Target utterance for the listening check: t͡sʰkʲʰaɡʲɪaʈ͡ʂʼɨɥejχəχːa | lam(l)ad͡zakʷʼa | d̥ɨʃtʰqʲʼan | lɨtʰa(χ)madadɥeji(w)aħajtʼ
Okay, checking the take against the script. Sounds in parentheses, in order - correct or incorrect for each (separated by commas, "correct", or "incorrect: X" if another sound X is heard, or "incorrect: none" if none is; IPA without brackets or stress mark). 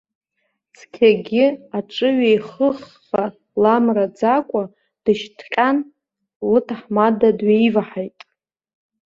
incorrect: r, incorrect: ħ, incorrect: v